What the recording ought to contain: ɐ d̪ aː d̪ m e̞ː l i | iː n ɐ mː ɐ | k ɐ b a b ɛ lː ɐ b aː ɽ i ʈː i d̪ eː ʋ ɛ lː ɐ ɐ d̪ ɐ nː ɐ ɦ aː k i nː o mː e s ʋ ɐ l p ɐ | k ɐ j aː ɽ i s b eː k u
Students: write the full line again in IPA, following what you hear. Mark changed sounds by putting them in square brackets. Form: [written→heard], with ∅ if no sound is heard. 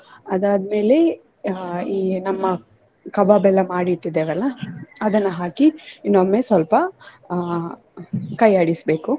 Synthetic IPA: ɐ d̪ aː d̪ m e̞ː l [i→e] | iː n ɐ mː ɐ | k ɐ b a b ɛ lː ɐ [b→m] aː ɽ i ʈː i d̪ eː ʋ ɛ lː ɐ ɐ d̪ ɐ nː ɐ ɦ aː k i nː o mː e s ʋ ɐ l p ɐ | k ɐ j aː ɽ i s b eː k u